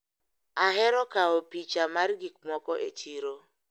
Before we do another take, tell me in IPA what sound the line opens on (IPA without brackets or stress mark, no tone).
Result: a